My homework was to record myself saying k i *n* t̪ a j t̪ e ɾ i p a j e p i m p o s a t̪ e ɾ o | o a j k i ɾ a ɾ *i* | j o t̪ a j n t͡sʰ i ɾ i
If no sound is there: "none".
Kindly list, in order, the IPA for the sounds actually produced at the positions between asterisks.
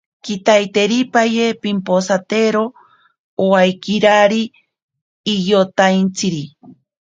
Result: none, iː

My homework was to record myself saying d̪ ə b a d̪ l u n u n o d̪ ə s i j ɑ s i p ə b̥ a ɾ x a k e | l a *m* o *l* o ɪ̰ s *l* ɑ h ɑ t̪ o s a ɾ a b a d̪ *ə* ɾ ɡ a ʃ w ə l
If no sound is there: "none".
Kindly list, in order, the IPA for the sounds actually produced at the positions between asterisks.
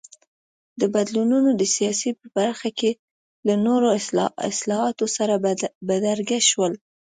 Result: n, ɾ, l, a

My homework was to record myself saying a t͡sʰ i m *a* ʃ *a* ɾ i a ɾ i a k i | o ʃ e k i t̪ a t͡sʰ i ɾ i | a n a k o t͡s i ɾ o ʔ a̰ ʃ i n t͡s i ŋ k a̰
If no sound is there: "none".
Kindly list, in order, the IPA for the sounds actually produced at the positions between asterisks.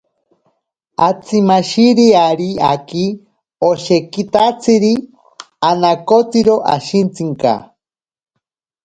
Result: a, i

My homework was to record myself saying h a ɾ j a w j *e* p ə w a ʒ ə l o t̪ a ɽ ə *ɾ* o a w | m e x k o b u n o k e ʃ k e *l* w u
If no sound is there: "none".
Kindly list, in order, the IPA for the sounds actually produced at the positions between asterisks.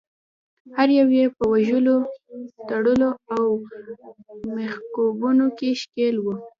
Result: e, l, l

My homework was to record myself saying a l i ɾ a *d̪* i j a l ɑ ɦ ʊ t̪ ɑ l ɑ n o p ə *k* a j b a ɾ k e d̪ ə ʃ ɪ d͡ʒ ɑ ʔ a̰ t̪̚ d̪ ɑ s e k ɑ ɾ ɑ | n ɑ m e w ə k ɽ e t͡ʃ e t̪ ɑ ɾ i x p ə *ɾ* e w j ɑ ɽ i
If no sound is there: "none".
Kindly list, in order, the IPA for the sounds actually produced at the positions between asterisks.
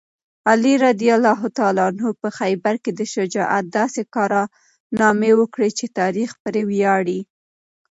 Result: d̪, x, ɾ

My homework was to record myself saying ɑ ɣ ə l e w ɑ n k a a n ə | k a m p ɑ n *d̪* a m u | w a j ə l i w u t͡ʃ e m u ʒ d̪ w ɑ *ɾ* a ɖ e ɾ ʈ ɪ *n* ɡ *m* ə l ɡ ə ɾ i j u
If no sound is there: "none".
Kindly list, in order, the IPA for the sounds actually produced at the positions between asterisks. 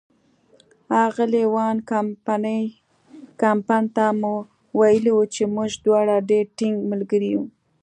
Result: t̪, ɽ, ŋ, m

